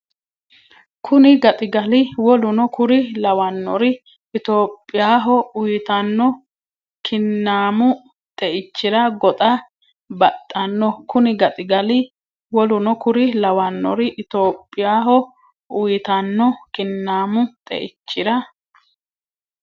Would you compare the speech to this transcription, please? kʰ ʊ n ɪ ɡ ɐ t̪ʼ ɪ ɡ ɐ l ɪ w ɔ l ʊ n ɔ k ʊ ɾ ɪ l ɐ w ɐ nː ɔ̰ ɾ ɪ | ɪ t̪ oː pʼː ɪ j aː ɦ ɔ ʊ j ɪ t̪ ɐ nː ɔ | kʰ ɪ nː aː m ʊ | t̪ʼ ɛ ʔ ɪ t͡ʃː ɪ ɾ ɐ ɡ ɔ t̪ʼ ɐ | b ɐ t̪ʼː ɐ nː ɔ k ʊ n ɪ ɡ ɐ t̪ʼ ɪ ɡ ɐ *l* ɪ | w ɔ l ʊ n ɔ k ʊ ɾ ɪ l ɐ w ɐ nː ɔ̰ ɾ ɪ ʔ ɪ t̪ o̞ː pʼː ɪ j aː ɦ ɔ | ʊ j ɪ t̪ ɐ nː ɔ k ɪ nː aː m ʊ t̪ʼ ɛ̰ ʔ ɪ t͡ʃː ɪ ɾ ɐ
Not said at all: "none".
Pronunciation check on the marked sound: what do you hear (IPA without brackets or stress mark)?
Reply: l